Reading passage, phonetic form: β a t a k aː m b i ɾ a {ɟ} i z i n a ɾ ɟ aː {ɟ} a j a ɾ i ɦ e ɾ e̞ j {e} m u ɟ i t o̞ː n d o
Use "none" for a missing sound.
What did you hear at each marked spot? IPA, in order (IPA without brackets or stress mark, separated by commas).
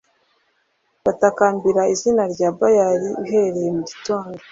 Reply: none, b, e